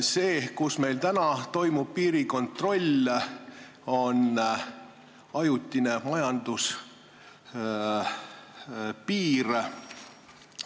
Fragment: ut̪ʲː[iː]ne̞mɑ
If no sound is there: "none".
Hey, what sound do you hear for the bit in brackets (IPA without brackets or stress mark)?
i